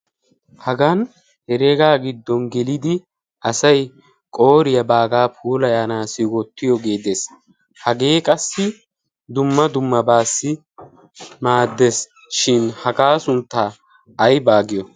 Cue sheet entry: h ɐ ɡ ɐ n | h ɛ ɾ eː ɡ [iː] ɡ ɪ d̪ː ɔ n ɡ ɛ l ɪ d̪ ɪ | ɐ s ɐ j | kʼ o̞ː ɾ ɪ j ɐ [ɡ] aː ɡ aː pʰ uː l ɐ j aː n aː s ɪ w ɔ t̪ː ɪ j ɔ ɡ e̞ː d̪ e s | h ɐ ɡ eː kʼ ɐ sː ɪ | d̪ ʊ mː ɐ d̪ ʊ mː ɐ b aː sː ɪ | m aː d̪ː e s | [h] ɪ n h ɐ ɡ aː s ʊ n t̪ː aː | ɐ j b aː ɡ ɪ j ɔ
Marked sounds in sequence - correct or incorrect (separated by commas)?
incorrect, incorrect, incorrect